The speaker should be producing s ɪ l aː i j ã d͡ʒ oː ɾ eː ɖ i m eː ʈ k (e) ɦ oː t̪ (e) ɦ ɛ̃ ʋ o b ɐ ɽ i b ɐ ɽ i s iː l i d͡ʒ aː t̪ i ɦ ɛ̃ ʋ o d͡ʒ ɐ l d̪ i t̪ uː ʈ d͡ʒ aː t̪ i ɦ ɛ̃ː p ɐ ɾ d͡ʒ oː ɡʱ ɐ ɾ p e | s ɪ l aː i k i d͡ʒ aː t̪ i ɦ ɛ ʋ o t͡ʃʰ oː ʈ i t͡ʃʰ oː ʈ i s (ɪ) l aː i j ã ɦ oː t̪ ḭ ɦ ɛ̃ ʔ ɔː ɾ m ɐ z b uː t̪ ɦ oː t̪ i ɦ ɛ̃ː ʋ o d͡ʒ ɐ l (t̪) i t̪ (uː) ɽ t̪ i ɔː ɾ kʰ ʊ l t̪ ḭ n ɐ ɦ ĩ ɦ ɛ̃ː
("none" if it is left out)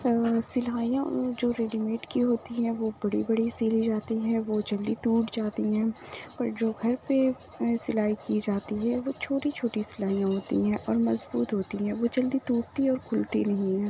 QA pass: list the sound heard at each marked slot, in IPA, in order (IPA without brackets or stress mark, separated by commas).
i, i, ɪ, d̪, uː